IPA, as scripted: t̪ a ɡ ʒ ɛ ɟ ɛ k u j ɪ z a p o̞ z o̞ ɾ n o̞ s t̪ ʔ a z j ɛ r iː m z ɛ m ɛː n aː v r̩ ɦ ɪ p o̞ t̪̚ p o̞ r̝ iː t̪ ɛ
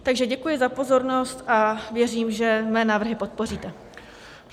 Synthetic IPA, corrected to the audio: t̪ a ɡ ʒ ɛ ɟ ɛ k u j ɪ z a p o̞ z o̞ ɾ n o̞ s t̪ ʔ a v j ɛ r iː m ʒ ɛ m ɛː n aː v r̩ ɦ ɪ p o̞ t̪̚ p o̞ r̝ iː t̪ ɛ